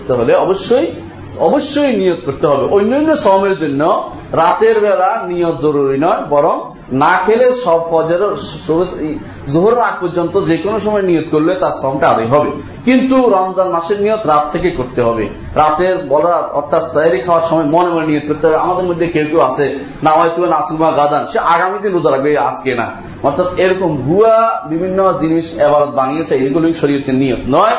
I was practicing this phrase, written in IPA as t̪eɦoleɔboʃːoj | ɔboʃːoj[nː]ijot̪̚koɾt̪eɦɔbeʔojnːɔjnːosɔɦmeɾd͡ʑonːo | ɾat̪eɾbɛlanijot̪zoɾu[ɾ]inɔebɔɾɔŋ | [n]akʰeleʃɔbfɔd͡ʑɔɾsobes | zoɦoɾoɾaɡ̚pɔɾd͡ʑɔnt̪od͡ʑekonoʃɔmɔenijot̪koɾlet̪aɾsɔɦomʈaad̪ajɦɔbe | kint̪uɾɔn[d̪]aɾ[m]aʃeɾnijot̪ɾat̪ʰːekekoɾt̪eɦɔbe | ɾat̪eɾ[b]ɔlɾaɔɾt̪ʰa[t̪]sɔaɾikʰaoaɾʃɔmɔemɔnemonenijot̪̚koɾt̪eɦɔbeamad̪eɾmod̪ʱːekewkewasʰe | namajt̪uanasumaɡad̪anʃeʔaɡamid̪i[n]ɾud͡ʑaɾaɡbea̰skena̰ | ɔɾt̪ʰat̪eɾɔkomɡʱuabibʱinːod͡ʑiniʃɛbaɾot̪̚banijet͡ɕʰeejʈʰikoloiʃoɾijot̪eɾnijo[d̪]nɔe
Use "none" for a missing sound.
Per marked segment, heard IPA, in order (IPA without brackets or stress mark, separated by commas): n, ɾ, n, d̪, m, b, t̪, n, t̪